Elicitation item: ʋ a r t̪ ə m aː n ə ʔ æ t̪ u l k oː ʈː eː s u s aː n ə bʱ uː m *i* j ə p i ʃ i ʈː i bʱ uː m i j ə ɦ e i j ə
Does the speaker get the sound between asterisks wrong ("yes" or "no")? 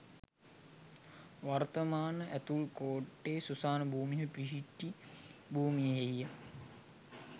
no